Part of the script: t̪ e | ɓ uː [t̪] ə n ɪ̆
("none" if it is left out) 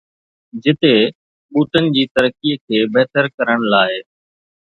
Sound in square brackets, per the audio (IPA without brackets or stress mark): t̪